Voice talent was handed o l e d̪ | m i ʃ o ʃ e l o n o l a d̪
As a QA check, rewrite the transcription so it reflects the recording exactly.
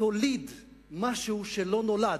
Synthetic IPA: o l i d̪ | m a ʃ u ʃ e l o n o l a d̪